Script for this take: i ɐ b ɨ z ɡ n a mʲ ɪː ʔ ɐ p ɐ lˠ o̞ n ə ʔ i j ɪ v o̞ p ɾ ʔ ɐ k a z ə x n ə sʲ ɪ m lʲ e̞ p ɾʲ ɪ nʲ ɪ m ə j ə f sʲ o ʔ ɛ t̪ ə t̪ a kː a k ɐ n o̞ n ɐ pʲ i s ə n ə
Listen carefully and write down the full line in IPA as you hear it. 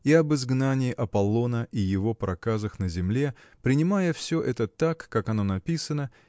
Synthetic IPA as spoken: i ɐ b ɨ z ɡ n a nʲ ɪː ʔ ɐ p ɐ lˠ o̞ n ə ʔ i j ɪ v o̞ p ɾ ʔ ɐ k a z ə x n ə zʲ ɪ m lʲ e̞ p ɾʲ ɪ nʲ ɪ m a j ə f sʲ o ʔ ɛ t̪ ə t̪ a kː a k ɐ n o̞ n ɐ pʲ i s ə n ə